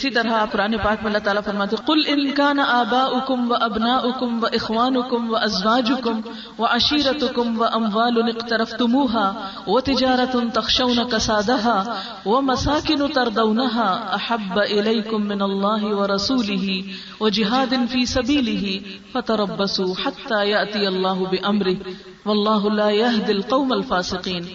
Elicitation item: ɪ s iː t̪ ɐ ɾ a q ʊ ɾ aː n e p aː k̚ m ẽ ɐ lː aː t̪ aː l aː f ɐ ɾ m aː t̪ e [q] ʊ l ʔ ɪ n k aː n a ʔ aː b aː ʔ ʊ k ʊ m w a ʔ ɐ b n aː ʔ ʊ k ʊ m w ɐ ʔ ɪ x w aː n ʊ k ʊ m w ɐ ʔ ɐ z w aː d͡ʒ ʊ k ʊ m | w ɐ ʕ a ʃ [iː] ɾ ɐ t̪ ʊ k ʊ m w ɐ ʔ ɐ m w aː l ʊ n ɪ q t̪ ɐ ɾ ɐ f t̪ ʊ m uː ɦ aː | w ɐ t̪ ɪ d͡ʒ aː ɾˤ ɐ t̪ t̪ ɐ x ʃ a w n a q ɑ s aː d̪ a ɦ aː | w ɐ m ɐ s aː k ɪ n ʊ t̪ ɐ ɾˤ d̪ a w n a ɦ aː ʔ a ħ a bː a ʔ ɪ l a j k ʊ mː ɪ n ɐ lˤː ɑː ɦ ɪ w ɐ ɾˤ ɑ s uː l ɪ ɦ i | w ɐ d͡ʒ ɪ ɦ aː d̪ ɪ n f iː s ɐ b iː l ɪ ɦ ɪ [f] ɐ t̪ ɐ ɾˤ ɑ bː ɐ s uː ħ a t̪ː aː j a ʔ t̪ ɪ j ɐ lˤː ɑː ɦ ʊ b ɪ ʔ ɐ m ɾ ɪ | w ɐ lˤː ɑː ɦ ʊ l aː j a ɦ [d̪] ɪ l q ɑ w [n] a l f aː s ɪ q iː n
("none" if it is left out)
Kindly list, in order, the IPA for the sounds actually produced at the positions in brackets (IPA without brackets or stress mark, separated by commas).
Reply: q, iː, f, d̪, m